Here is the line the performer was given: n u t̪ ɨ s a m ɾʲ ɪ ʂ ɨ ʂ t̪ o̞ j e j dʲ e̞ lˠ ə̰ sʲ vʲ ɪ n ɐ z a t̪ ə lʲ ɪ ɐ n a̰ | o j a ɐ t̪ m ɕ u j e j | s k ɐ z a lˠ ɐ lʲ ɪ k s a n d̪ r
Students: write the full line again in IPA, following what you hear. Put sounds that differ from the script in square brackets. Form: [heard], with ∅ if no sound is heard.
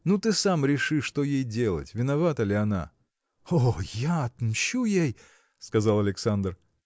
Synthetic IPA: n u t̪ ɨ s a m ɾʲ ɪ ʂ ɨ ʂ t̪ o̞ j e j dʲ e̞ lˠ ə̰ [tʲ] vʲ ɪ n ɐ [v] a t̪ ə lʲ ɪ ɐ n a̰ | o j a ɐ t̪ m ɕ u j e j | s k ɐ z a lˠ ɐ lʲ ɪ k s a n d̪ r